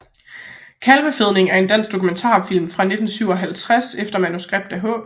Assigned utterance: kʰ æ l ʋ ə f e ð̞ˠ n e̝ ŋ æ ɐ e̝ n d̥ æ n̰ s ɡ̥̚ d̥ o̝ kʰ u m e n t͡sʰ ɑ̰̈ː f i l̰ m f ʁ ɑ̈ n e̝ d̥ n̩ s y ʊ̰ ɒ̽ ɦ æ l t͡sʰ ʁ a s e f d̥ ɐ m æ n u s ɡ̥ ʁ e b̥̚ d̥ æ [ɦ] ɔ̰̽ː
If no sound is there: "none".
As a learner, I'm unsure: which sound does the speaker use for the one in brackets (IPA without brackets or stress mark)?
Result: ɦ